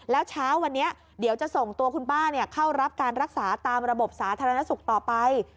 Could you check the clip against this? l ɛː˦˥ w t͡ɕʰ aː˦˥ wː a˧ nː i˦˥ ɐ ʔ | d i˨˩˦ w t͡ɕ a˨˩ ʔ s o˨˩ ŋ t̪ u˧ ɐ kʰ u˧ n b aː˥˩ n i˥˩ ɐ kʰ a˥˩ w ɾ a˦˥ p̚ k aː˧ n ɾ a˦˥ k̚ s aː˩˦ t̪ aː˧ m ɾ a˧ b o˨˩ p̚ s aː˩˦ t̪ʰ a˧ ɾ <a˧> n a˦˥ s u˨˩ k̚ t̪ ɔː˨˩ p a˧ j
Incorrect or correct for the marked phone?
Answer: correct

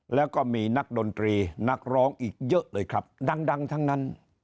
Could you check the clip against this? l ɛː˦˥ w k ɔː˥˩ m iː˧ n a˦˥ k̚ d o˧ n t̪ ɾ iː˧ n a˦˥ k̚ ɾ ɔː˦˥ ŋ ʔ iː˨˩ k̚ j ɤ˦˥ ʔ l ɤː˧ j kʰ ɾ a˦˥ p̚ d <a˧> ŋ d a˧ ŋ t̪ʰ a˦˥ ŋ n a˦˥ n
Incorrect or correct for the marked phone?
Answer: correct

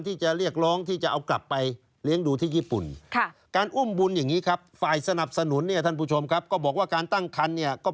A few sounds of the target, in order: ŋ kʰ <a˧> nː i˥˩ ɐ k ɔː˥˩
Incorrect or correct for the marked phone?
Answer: correct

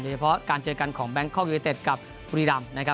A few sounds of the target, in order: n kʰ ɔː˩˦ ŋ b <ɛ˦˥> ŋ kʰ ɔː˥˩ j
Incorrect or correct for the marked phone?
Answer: correct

